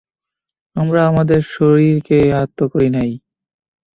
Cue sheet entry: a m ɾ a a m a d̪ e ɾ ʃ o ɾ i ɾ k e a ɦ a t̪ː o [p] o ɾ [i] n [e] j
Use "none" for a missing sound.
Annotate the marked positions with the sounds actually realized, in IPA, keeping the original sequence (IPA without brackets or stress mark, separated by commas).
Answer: k, i, a